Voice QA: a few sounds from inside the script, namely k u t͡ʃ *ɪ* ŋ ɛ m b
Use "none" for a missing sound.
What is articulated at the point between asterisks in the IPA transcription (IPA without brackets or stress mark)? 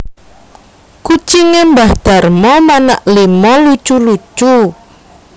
i